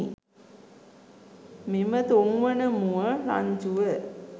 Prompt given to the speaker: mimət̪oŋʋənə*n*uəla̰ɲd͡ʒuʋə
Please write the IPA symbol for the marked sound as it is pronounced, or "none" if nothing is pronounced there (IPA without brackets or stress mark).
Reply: m